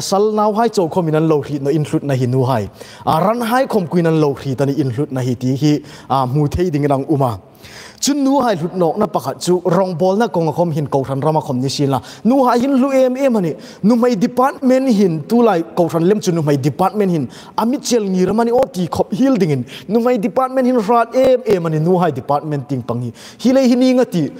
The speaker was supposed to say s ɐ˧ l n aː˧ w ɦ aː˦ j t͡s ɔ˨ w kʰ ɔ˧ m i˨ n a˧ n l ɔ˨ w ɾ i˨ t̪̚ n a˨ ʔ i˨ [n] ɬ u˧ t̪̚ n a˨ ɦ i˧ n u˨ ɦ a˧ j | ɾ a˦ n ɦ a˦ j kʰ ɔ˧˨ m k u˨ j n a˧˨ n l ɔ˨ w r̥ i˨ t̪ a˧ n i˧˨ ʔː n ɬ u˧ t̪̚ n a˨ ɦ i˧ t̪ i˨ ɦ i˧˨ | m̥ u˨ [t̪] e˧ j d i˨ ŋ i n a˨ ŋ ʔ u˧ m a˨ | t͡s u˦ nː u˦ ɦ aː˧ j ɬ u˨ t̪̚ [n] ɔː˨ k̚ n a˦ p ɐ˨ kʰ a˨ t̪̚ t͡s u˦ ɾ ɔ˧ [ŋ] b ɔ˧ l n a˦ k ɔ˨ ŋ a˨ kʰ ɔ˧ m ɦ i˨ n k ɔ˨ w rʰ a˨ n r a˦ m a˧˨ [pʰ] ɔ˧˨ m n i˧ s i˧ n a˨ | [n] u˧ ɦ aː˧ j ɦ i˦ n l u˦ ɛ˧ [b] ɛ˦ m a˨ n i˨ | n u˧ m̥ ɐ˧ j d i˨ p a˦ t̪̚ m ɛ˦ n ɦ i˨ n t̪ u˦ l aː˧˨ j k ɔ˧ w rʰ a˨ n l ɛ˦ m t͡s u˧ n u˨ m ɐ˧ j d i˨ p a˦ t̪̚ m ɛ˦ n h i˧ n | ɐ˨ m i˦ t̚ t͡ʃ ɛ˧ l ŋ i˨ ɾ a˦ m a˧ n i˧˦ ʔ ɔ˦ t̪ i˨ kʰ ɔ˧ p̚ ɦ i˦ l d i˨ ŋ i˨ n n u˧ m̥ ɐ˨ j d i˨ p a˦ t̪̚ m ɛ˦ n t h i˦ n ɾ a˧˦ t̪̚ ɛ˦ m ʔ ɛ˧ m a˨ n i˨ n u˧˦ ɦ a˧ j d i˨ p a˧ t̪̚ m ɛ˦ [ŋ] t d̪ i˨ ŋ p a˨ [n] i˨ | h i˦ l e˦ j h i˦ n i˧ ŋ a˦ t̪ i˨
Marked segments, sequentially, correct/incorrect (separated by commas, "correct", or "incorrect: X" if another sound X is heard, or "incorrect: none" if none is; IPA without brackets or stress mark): correct, incorrect: t̪ʰ, correct, correct, incorrect: kʰ, correct, incorrect: m, incorrect: n, incorrect: ŋ